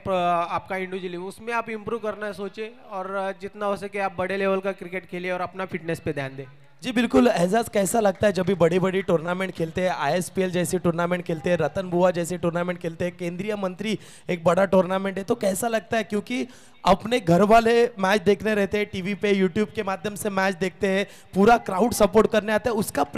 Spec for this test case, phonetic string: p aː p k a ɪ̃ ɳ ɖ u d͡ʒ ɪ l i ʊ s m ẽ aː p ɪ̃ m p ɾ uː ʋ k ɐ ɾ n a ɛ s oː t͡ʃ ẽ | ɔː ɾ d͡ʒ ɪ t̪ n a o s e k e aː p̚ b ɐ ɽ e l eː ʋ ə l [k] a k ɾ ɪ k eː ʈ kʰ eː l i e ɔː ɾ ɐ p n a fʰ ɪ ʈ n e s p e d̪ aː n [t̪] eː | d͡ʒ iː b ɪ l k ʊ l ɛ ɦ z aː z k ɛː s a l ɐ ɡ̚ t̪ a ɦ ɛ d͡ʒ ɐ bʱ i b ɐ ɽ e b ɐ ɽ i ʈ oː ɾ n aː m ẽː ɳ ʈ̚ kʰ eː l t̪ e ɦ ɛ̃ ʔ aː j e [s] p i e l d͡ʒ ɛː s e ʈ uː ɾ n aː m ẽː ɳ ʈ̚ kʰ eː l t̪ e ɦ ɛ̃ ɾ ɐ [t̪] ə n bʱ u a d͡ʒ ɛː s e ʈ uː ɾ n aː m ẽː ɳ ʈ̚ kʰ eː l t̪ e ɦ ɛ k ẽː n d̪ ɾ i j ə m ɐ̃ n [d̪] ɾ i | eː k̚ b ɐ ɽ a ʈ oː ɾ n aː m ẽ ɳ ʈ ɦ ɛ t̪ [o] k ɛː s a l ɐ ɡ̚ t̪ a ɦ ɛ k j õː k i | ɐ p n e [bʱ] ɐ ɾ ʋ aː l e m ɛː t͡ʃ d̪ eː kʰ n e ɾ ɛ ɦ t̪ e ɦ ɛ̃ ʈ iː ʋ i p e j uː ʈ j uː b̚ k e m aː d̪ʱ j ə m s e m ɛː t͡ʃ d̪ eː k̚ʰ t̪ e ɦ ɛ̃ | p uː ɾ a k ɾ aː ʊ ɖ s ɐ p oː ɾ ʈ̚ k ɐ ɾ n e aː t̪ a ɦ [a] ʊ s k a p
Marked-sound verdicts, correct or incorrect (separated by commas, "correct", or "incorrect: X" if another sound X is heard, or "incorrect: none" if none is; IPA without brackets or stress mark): correct, incorrect: d̪, correct, correct, incorrect: t̪, correct, incorrect: ɡʱ, incorrect: ɛ